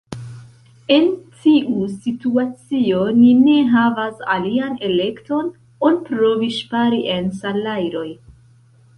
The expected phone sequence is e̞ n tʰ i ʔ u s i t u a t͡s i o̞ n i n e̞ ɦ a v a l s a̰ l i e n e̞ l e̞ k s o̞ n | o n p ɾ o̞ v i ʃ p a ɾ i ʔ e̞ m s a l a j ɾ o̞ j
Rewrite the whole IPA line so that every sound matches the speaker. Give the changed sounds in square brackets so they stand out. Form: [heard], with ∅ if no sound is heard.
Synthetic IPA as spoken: e̞ n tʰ i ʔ u s i t u a t͡s i o̞ n i n e̞ ɦ a v a [∅] s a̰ l i [a] n e̞ l e̞ k [t] o̞ n | o n p ɾ o̞ v i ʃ p a ɾ i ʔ e̞ [n] s a l a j ɾ o̞ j